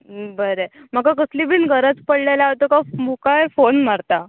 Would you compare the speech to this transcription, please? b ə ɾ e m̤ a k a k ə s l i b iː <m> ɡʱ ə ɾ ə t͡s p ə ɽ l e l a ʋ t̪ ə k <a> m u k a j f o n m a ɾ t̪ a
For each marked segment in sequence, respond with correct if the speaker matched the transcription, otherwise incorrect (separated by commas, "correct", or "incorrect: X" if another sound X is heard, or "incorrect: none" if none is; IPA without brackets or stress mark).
incorrect: n, correct